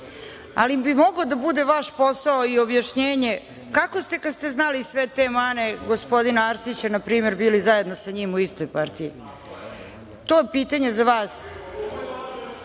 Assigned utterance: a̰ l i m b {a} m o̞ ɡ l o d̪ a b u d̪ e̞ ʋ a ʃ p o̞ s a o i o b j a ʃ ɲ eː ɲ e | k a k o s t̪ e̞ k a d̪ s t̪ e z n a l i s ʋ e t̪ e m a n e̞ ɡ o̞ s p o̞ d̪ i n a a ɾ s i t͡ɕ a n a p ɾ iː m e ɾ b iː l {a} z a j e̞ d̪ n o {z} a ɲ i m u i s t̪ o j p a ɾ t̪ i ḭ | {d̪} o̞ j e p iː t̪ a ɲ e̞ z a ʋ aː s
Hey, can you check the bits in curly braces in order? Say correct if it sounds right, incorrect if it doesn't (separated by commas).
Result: incorrect, incorrect, incorrect, incorrect